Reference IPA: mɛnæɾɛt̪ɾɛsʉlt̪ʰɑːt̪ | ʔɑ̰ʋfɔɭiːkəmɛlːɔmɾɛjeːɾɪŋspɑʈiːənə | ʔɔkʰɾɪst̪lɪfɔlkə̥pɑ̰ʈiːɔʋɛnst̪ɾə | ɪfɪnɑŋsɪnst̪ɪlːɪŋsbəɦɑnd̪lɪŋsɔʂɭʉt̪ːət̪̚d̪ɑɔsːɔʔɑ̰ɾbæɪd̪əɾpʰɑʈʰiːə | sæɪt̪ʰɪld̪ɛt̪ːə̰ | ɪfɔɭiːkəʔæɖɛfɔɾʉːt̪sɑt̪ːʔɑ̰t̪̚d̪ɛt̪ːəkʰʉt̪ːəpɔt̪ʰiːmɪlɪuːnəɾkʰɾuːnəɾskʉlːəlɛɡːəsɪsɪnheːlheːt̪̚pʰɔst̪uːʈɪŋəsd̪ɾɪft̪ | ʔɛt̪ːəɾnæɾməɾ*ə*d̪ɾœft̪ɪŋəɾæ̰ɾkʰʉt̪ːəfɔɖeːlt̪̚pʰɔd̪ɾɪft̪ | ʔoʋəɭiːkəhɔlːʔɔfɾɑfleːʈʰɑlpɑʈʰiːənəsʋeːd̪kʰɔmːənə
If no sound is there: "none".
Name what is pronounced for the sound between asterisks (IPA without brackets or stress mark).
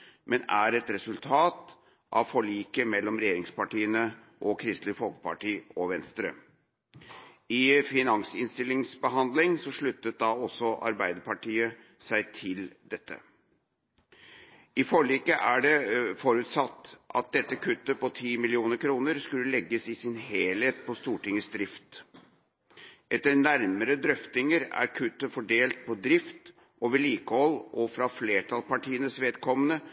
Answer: ə